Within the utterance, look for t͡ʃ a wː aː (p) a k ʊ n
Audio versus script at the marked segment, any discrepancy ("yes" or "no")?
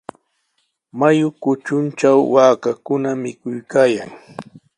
yes